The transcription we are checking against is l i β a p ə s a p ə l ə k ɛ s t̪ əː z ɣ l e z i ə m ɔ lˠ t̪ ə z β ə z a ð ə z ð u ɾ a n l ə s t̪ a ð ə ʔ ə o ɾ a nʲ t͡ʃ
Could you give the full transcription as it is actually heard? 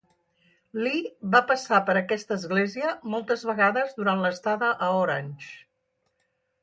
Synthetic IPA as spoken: l i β a p ə s a p ə ɾ ə k ɛ s t̪ əː z ɣ l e z i ə m ɔ lˠ t̪ ə z β ə ɣ a ð ə z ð u ɾ a n l ə s t̪ a ð ə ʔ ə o ɾ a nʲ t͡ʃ